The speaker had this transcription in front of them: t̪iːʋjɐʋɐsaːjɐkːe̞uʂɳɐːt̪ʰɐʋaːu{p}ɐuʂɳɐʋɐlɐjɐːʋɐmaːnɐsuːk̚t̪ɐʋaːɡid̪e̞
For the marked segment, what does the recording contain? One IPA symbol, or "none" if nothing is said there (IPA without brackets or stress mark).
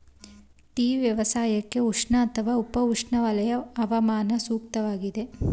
p